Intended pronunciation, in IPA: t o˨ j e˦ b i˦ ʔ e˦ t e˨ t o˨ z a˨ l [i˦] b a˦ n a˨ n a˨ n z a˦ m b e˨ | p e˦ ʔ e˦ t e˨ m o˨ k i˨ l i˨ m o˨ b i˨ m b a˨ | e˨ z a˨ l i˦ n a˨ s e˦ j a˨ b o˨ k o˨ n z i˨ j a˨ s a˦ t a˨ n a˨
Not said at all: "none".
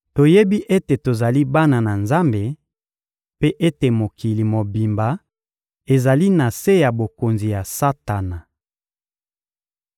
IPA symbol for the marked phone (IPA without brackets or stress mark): i˦